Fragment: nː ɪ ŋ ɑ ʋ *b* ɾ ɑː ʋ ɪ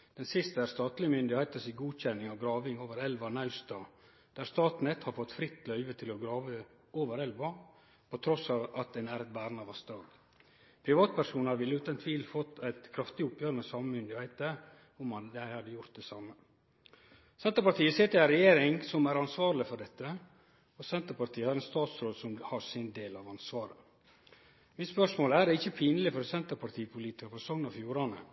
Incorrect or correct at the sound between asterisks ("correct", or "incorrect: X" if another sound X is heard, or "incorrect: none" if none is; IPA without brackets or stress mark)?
incorrect: ɡ